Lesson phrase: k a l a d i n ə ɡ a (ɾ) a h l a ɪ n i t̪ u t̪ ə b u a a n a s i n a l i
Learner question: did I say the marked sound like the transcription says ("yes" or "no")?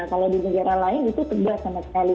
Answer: yes